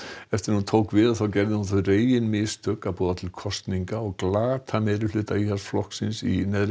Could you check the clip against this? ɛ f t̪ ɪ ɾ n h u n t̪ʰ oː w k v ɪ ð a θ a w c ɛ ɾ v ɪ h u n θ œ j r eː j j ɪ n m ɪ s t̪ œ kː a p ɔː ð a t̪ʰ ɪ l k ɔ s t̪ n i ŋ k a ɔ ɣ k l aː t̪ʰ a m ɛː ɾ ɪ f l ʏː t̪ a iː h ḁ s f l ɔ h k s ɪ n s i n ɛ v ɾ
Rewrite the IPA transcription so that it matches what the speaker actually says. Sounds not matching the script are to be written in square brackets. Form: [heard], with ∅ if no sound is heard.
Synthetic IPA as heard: ɛ f t̪ ɪ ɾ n h u n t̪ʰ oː w k v ɪ ð a θ a w c ɛ ɾ [ð] ɪ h u n θ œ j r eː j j ɪ n m ɪ s t̪ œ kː a p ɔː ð a t̪ʰ ɪ l [kʰ] ɔ s t̪ n i ŋ k a ɔ ɣ k l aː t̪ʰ a m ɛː ɾ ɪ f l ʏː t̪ a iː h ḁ s f l ɔ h k s ɪ n s i n ɛ [ð] ɾ